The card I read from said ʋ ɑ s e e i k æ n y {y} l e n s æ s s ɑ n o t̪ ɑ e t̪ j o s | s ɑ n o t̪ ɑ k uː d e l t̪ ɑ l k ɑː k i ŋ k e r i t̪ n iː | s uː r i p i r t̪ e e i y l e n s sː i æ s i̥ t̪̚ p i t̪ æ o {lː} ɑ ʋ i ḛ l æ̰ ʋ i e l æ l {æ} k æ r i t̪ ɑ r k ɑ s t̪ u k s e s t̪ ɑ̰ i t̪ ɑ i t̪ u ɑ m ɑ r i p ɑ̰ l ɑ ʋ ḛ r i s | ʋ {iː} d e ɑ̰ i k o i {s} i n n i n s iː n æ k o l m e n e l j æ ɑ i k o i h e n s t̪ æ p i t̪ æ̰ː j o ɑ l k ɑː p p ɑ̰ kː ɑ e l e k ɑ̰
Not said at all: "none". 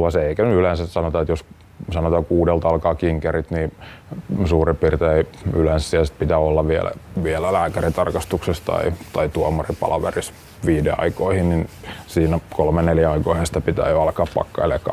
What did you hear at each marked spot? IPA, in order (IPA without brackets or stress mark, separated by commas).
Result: y, lː, æː, iː, h